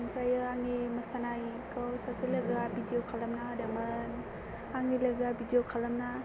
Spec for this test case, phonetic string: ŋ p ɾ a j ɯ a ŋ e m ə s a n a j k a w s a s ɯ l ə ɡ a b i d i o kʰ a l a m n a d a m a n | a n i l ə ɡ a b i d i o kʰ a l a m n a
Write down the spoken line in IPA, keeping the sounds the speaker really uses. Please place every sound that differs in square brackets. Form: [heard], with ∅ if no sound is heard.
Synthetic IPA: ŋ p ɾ a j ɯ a ŋ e m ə s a n a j k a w s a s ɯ l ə ɡ a b i d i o kʰ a l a m n a d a m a n | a [ŋ] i l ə ɡ a b i d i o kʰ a l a m n a